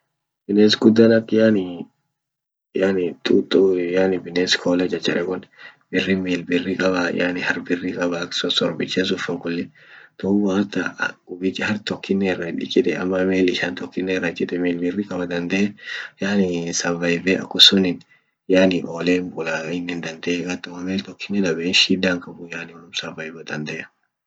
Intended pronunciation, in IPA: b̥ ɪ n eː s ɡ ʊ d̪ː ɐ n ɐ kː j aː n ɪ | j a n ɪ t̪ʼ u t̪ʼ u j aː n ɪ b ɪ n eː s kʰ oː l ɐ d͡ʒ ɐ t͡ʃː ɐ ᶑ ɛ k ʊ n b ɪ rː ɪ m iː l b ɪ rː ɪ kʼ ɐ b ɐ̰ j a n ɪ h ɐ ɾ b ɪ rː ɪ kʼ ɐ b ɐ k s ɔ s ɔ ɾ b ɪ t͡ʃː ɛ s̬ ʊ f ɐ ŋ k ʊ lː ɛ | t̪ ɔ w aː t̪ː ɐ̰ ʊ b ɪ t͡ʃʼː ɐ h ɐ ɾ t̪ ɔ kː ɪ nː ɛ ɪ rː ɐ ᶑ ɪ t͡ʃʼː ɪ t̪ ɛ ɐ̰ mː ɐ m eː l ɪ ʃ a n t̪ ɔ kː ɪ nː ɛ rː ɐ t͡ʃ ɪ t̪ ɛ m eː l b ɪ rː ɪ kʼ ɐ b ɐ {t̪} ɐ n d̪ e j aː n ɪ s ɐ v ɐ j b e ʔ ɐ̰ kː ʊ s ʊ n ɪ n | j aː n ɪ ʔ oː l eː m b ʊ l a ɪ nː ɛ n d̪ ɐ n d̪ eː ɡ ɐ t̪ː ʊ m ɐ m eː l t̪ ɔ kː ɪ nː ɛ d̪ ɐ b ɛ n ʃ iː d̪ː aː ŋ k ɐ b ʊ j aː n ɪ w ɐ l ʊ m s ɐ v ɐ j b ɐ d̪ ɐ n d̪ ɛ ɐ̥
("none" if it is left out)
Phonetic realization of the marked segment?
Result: d̪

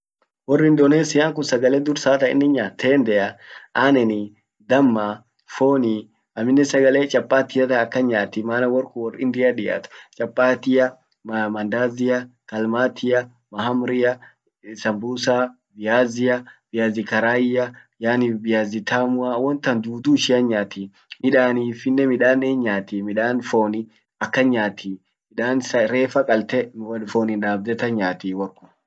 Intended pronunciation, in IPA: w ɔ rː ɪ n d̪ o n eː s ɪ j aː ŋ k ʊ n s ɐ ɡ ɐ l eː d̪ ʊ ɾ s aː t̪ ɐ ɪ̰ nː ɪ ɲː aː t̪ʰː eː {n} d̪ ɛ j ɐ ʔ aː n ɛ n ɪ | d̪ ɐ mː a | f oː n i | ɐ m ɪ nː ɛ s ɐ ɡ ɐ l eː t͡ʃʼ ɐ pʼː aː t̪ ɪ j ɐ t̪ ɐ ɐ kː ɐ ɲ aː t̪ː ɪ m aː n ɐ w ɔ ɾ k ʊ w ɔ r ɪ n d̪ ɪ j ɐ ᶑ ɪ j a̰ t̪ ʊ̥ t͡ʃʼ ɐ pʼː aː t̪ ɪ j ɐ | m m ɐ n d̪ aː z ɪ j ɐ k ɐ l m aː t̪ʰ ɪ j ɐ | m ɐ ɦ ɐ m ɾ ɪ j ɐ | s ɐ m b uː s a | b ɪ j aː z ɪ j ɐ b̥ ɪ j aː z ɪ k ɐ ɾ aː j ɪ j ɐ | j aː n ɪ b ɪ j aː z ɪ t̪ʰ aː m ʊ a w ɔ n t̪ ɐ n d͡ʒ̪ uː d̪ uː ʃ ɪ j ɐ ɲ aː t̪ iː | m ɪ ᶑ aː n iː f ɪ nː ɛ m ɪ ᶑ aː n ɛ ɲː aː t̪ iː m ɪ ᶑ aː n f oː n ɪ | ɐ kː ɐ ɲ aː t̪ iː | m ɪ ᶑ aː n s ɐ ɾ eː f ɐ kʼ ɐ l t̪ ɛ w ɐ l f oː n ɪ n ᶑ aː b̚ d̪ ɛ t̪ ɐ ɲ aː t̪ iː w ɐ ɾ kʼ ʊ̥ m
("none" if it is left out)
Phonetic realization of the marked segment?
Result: n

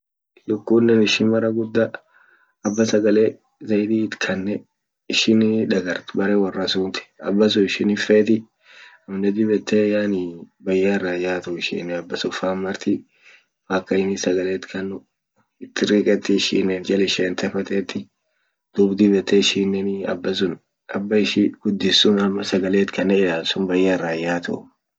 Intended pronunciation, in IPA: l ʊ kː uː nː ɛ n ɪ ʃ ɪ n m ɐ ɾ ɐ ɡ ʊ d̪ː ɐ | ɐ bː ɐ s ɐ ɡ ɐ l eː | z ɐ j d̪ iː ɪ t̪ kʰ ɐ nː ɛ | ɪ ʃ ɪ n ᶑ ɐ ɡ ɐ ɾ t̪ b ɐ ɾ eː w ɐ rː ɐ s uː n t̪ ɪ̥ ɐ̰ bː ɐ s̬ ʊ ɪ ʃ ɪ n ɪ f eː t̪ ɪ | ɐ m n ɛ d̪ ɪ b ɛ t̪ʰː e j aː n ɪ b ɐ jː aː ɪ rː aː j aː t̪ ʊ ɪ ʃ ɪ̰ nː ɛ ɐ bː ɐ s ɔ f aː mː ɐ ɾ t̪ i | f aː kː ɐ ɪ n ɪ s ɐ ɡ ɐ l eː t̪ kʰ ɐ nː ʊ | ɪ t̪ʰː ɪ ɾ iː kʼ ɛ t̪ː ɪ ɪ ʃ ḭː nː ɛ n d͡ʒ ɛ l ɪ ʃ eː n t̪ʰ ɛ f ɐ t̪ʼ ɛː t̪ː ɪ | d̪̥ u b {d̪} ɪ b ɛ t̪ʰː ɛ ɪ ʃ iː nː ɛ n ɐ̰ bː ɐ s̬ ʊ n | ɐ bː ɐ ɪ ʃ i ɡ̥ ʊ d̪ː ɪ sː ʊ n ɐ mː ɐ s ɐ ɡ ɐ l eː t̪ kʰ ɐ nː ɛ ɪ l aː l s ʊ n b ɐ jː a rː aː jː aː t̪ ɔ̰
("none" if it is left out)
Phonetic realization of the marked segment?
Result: d̪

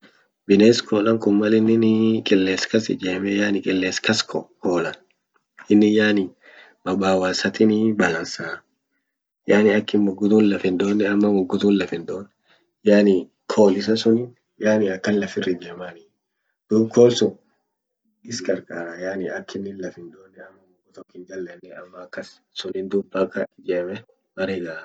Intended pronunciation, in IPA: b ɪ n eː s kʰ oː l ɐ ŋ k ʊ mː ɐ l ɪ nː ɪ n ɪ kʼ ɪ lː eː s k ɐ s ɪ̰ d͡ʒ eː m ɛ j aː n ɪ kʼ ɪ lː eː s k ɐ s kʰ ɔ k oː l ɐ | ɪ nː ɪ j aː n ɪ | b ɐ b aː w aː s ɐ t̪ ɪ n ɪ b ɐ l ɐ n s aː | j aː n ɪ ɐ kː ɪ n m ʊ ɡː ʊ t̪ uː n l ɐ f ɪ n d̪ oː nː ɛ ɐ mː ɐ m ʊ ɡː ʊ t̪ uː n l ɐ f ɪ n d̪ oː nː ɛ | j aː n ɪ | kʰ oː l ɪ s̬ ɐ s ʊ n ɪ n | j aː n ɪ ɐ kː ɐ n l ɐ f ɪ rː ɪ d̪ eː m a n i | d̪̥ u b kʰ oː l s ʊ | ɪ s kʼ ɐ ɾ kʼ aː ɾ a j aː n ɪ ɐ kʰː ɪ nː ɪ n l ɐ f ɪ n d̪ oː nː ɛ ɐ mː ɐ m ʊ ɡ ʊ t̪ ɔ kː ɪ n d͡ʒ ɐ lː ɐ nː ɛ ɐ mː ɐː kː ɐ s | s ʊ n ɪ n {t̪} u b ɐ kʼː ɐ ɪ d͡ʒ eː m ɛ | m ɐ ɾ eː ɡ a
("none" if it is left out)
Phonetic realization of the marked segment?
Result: d̪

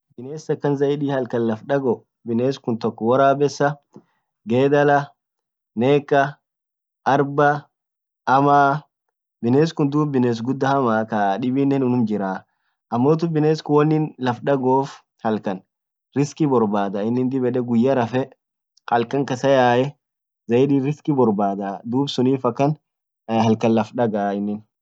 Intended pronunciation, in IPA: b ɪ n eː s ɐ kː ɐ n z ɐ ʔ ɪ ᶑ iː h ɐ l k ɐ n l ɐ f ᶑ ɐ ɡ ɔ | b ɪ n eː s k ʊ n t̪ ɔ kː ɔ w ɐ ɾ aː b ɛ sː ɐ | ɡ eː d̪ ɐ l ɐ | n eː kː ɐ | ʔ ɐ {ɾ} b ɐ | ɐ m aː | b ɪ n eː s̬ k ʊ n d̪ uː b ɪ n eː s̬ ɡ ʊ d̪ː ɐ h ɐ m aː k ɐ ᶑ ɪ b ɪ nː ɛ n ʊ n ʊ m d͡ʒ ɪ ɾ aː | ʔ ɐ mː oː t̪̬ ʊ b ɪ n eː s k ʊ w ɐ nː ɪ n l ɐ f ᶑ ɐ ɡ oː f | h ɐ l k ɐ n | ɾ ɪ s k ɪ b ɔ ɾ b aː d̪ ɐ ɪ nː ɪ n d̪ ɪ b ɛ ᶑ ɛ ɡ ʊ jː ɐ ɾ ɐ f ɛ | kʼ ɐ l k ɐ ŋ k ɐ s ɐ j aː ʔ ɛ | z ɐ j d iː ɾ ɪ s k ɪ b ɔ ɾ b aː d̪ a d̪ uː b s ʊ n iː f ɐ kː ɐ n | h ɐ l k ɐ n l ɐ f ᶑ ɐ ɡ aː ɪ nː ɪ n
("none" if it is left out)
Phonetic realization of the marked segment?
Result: ɾ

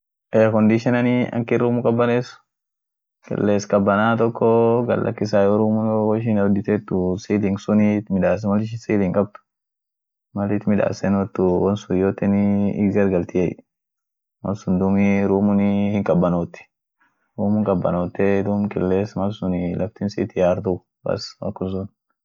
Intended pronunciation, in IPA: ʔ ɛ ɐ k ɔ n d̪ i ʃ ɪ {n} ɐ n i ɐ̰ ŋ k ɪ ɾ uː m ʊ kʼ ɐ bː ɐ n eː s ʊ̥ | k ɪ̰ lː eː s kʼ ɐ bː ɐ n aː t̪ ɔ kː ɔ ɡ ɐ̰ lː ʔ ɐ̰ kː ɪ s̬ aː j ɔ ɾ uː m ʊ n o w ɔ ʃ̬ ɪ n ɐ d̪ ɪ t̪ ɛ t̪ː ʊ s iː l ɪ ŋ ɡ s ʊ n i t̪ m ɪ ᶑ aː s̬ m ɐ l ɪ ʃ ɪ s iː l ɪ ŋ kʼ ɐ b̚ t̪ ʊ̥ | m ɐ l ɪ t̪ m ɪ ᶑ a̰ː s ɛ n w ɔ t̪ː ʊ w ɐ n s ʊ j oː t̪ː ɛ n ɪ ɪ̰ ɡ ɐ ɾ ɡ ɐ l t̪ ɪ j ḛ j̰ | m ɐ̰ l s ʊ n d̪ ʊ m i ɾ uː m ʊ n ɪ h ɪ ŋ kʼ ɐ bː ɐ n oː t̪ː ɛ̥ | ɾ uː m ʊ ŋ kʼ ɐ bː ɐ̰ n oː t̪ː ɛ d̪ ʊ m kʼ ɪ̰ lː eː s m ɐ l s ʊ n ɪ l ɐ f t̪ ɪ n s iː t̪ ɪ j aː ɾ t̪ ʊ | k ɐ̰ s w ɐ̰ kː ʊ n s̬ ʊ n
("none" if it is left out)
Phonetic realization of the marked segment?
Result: n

